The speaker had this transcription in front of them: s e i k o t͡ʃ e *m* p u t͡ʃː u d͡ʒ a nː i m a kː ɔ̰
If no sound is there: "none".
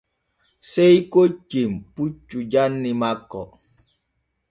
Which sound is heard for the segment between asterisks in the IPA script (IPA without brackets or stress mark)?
m